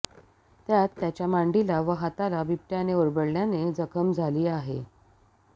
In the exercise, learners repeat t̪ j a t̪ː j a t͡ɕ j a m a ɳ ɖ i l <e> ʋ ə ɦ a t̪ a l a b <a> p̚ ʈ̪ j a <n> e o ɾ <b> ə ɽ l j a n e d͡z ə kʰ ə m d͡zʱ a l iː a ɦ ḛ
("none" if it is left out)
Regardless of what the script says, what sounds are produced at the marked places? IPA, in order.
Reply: a, i, n, b

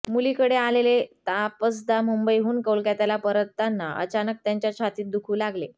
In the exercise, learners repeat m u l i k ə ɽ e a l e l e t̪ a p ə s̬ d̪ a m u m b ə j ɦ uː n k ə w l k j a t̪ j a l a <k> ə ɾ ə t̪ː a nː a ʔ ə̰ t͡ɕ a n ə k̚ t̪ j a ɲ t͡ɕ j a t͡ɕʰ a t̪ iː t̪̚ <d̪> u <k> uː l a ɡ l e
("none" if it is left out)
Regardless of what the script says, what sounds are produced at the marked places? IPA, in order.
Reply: p, d̪, kʰ

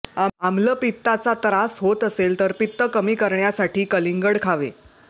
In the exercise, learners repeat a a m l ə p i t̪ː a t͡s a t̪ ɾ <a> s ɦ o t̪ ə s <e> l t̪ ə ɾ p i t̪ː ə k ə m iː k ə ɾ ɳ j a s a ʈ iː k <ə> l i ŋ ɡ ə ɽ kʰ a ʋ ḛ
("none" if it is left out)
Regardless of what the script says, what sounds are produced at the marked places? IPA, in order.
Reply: a, e, ə

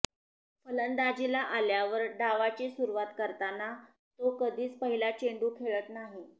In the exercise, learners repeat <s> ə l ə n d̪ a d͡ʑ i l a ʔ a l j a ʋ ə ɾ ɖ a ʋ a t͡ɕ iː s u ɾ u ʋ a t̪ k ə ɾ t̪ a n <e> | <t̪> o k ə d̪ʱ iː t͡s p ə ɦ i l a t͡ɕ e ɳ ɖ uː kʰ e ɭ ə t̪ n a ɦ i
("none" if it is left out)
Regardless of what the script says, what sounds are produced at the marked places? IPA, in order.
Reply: f, a, t̪

